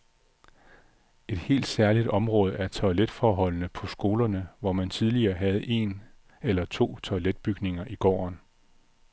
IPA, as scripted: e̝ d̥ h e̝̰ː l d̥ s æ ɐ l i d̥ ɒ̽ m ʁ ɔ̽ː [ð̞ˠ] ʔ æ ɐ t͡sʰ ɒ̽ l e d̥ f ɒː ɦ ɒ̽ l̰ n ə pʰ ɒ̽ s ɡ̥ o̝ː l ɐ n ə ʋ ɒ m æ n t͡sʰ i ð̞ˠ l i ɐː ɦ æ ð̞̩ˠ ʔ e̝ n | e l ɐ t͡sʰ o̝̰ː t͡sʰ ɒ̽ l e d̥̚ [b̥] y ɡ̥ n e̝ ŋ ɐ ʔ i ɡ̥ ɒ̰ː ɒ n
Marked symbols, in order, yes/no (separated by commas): yes, yes